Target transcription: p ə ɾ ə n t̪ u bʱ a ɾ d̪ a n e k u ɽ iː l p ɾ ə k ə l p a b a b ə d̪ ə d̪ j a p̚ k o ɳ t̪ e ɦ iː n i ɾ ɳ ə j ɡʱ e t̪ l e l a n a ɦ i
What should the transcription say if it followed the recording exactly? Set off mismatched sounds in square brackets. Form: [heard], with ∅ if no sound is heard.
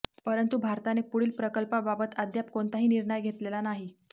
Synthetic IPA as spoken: p ə ɾ ə n t̪ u bʱ a ɾ [t̪] a n e [p] u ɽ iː l p ɾ ə k ə l p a b a b ə [t̪] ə d̪ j a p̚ k o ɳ t̪ [a] ɦ iː n i ɾ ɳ ə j ɡʱ e t̪ l e l a n a ɦ i